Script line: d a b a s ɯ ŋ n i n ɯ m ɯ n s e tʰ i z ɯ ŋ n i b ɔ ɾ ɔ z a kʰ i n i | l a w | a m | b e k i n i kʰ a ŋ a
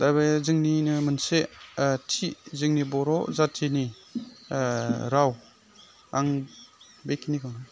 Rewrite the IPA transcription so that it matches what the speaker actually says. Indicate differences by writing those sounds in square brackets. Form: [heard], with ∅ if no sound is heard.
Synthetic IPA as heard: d a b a [z] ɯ ŋ n i n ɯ m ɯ n s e tʰ i z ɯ ŋ n i b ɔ ɾ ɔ z a [tʰ] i n i | [ɾ] a w | a [ŋ] | b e k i n i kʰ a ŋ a